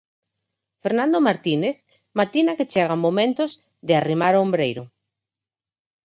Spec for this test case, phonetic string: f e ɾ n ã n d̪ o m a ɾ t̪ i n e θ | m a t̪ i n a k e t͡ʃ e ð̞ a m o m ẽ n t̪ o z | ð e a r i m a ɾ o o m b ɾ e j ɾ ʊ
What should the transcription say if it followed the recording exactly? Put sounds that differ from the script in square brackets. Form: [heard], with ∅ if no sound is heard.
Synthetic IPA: f e ɾ n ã n d̪ o m a ɾ t̪ i n e θ | m a t̪ i n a k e t͡ʃ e [ɣ̞] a m o m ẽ n t̪ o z | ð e a r i m a ɾ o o m b ɾ e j ɾ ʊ